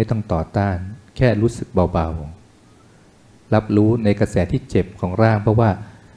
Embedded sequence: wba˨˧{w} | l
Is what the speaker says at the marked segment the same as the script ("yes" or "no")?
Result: yes